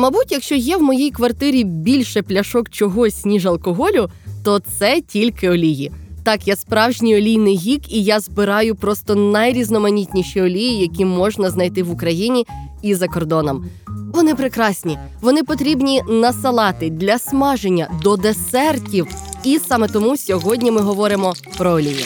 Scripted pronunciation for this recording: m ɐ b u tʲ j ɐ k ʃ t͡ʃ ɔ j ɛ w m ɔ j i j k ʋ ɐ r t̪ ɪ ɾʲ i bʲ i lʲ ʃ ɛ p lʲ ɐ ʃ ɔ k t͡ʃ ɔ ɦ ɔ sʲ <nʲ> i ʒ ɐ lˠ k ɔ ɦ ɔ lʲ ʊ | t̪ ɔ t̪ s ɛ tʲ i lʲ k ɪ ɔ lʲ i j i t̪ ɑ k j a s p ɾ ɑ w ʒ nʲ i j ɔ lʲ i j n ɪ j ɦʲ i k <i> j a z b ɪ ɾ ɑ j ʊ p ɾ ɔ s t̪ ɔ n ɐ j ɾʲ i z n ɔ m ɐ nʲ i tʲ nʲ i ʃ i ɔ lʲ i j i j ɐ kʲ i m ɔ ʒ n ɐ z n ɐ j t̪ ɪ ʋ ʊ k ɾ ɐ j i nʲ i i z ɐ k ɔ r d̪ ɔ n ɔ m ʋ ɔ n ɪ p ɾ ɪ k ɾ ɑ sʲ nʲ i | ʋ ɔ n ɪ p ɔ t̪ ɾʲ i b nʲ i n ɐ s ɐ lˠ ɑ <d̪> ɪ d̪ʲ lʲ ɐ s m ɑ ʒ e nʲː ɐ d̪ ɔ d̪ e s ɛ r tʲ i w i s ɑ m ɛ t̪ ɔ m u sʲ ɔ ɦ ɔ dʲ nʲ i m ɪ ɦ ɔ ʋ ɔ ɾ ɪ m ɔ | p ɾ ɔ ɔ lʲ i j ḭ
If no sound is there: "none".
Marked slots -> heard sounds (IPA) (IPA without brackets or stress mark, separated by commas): nʲ, i, t̪